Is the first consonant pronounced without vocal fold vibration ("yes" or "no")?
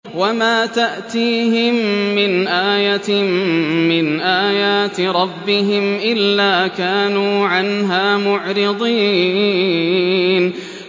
no